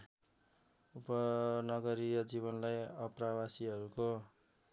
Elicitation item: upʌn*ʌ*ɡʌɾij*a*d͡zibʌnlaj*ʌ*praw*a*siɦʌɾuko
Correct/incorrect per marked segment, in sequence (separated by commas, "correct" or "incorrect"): correct, incorrect, correct, correct